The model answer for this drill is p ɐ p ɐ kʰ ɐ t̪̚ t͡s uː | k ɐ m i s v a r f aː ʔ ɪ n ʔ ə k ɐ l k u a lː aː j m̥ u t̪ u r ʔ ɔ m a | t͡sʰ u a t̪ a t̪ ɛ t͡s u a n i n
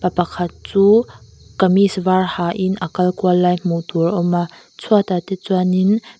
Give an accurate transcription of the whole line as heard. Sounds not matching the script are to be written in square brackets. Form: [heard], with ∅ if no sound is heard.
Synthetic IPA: p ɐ p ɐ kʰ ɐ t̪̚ t͡s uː | k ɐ m i s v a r [h] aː ʔ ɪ n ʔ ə k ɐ l k u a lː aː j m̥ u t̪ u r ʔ ɔ m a | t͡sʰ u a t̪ a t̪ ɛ t͡s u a n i n